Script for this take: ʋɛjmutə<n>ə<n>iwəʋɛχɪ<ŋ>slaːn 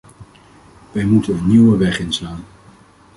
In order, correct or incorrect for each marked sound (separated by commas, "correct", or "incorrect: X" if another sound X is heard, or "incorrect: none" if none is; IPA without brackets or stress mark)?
correct, correct, incorrect: n